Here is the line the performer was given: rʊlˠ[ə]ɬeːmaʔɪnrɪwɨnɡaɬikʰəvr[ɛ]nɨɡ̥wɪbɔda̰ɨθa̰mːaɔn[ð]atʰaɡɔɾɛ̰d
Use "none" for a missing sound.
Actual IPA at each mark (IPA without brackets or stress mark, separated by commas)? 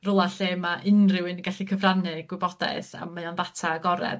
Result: a, a, ð